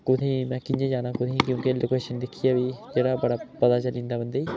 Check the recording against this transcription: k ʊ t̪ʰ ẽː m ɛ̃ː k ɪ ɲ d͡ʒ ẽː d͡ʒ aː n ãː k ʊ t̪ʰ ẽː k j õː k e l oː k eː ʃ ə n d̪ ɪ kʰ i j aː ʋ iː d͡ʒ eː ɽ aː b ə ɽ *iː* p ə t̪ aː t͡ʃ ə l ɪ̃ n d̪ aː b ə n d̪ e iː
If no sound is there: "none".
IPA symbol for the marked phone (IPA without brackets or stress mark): aː